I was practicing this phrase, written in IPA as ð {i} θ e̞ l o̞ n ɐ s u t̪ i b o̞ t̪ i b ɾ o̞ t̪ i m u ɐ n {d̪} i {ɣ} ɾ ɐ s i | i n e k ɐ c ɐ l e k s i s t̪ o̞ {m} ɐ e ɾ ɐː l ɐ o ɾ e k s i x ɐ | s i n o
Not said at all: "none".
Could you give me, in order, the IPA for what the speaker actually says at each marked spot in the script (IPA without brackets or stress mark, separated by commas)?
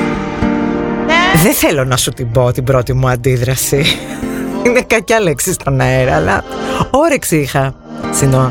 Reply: e, d̪, ð, n